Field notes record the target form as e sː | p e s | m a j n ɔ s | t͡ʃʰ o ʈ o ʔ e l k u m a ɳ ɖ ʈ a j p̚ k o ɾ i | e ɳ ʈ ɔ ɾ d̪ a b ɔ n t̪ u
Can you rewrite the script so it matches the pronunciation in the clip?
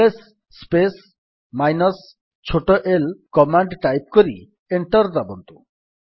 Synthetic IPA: e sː | p e s | m a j n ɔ s | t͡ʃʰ o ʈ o ʔ e l k ɔ m a ɳ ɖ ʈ a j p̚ k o ɾ i | e ɳ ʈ ɔ ɾ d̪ a b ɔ n t̪ u